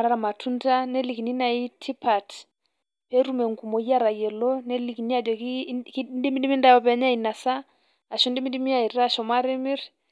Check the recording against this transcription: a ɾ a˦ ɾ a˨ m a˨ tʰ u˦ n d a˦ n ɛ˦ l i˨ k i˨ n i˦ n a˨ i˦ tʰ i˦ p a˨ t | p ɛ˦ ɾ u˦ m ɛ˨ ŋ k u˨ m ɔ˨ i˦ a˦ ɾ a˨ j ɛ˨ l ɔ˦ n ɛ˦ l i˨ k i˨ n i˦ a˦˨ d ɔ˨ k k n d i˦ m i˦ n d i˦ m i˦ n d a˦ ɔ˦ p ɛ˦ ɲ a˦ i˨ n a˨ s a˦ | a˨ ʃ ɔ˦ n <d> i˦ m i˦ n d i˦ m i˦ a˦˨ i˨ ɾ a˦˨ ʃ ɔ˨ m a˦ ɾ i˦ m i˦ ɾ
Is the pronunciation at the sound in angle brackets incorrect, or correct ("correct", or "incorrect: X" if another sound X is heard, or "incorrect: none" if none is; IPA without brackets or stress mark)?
correct